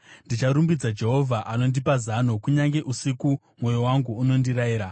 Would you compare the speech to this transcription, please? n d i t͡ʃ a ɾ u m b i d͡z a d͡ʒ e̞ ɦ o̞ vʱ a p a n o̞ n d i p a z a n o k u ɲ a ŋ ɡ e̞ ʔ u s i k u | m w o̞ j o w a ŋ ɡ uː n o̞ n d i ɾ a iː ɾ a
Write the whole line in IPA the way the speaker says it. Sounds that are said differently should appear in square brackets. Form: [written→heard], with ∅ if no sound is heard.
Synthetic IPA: n d i t͡ʃ a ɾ u m b i d͡z a d͡ʒ e̞ ɦ o̞ vʱ a [p→ʔ] a n o̞ n d i p a z a n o k u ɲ a ŋ ɡ e̞ ʔ u s i k u | m w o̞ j o w a ŋ ɡ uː n o̞ n d i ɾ a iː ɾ a